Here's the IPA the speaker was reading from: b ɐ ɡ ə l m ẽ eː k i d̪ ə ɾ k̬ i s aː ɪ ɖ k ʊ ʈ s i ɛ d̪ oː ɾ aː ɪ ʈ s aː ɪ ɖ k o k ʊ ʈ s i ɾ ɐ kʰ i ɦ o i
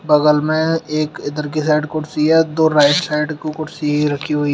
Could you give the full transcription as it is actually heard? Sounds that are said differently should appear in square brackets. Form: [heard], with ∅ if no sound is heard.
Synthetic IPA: b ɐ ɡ ə l m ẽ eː k [ɪ] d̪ ə ɾ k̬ i s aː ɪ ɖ k ʊ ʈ s i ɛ d̪ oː ɾ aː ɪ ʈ s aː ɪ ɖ k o k ʊ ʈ s i ɾ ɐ kʰ i ɦ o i